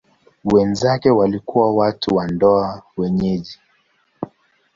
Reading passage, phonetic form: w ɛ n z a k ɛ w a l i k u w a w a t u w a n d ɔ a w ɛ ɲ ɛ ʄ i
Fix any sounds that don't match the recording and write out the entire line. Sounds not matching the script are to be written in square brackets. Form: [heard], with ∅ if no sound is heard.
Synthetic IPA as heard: w ɛ n z a k ɛ w a l i k u w a w a t u w a n d ɔ a w ɛ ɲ ɛ ʄ i